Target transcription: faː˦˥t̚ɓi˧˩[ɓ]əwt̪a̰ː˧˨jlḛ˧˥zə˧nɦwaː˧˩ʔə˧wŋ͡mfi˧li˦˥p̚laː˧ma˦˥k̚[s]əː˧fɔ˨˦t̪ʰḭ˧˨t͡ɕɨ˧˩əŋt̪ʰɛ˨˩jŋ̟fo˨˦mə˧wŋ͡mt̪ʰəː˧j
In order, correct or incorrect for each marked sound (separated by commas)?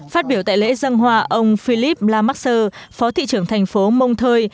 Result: incorrect, correct